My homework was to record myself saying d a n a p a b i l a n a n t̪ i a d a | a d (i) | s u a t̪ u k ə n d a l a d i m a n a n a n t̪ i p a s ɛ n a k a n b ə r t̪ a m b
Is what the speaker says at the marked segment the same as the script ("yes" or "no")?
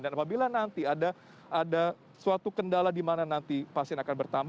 no